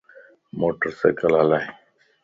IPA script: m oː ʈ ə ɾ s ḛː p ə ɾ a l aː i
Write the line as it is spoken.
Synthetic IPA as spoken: m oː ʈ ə ɾ s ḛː k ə l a l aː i